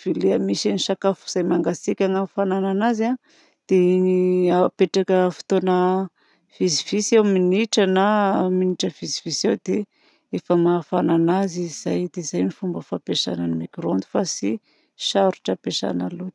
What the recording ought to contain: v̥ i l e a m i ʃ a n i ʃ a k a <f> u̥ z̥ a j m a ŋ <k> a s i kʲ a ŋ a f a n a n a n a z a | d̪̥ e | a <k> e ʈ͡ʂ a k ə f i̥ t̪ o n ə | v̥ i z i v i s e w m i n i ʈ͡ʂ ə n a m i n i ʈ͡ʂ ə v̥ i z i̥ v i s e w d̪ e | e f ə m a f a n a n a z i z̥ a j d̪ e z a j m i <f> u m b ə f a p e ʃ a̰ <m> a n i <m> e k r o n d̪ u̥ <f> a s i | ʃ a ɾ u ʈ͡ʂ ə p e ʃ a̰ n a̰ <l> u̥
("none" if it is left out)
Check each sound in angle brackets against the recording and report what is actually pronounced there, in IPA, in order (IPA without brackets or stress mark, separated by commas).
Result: f, ɡ, p, f, n, m, f, l